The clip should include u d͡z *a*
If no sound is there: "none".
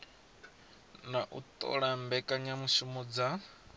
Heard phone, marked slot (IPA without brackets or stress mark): a